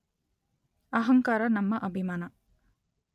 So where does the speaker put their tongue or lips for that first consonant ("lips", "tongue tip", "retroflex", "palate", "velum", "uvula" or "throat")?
throat